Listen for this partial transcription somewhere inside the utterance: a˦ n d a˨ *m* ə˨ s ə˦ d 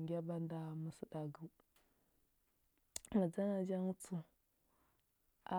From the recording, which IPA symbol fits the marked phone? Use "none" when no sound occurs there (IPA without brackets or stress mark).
m